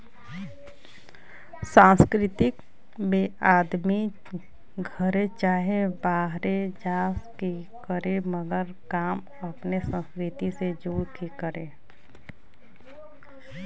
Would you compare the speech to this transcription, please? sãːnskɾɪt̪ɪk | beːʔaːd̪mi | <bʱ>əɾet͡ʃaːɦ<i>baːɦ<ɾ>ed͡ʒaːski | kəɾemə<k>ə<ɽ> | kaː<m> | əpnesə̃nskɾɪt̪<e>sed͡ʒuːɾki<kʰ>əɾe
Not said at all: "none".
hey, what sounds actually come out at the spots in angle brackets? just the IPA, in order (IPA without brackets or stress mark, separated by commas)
ɡʱ, e, ɾ, ɡ, ɾ, m, i, k